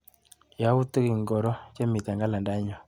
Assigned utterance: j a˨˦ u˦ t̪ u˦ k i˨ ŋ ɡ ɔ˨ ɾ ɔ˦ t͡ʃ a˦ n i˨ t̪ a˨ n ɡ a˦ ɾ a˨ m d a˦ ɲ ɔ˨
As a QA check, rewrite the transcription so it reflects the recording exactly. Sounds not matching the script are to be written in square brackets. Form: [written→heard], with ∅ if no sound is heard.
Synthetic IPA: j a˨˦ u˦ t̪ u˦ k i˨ ŋ ɡ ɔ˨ ɾ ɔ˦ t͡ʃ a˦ [n→m] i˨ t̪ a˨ [n→ŋ] ɡ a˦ [ɾ→l] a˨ [m→n] d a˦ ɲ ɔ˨